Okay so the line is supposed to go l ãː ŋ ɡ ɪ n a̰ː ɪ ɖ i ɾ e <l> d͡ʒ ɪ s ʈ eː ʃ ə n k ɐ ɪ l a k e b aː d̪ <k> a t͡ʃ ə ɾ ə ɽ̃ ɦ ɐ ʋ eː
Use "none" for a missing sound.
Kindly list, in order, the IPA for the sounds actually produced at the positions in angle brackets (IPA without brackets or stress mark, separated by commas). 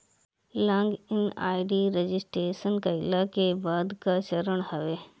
none, k